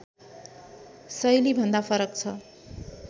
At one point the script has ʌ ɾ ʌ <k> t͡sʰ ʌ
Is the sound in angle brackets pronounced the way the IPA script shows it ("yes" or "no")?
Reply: yes